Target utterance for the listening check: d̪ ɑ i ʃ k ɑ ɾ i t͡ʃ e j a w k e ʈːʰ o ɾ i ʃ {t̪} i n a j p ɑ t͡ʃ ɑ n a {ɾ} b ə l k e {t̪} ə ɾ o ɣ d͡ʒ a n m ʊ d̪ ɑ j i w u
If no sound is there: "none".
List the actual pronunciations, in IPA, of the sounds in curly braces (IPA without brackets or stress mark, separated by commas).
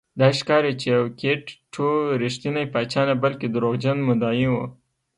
t̪, none, d̪